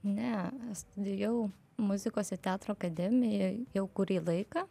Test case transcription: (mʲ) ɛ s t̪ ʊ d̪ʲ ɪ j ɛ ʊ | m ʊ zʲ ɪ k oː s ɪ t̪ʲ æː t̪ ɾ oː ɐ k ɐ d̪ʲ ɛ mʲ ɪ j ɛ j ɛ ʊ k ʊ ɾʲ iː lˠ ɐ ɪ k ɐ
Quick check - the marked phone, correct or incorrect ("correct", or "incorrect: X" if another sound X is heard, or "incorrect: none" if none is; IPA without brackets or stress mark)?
incorrect: nʲ